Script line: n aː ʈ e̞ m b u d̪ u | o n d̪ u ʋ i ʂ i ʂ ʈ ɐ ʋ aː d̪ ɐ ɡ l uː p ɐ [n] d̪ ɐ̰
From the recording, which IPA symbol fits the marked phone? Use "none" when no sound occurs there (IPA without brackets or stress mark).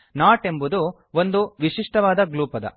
none